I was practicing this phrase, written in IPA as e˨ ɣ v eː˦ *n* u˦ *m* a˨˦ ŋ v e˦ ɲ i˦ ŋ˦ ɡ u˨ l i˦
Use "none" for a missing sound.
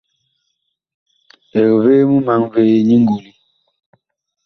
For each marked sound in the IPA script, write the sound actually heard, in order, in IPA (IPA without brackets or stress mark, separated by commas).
m, m